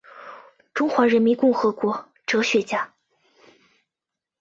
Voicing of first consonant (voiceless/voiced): voiceless